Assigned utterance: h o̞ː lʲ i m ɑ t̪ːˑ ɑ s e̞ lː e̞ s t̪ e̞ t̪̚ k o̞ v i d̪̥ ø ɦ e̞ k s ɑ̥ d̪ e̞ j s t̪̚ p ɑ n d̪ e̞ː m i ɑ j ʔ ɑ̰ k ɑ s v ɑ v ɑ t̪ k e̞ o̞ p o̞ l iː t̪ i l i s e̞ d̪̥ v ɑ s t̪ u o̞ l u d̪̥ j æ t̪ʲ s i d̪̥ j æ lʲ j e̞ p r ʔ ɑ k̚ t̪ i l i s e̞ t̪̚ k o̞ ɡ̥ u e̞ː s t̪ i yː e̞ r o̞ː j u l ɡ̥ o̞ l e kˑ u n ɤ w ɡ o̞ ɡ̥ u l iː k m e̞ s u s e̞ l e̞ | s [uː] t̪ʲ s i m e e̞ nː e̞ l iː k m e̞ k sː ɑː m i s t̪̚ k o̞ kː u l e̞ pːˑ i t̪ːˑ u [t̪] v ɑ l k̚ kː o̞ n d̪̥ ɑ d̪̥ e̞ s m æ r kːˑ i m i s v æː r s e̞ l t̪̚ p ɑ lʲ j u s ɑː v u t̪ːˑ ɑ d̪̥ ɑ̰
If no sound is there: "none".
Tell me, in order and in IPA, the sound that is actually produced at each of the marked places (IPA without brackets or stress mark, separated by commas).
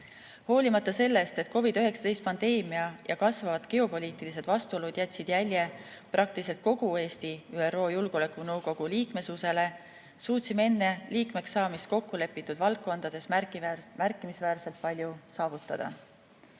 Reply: uː, d̪